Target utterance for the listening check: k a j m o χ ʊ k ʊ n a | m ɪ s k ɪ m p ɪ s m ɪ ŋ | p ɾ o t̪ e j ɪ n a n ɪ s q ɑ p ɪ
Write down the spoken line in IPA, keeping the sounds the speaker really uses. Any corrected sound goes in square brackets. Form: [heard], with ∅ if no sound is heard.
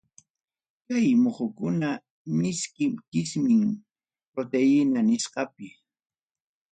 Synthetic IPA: k a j m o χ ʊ k ʊ n a | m ɪ s k ɪ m [k] ɪ s m ɪ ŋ | p ɾ o t̪ e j ɪ n a n ɪ s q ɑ p ɪ